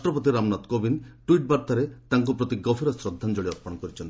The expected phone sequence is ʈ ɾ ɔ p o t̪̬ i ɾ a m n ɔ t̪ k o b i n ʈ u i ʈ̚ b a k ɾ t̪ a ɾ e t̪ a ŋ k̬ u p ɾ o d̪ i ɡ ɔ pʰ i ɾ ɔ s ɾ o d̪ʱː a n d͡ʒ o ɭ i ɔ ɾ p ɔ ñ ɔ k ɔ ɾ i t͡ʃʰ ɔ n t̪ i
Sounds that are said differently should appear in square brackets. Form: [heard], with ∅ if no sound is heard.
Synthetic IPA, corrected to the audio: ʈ ɾ ɔ p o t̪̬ i ɾ a m n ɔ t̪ k o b i n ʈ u i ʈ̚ b a [∅] ɾ t̪ a ɾ e t̪ a ŋ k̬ u p ɾ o [t̪] i ɡ ɔ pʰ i ɾ ɔ s ɾ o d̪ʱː a n d͡ʒ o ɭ i ɔ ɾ p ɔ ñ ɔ k ɔ ɾ i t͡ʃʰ ɔ n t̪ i